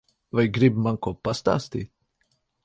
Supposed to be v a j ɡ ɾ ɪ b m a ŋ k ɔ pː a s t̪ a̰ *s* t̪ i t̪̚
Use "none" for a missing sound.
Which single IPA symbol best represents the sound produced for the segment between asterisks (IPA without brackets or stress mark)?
s